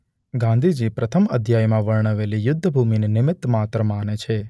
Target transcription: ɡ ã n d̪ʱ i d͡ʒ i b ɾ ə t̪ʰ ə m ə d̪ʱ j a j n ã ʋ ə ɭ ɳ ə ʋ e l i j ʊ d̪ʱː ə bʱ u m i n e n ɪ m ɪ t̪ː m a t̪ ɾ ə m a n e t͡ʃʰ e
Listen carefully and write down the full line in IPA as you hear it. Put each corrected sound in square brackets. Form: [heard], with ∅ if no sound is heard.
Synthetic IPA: ɡ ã n d̪ʱ i d͡ʒ i [p] ɾ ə t̪ʰ ə m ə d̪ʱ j a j [m] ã ʋ ə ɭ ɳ ə ʋ e l i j ʊ d̪ʱː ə bʱ u m i n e n ɪ m ɪ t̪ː m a t̪ ɾ ə m a n e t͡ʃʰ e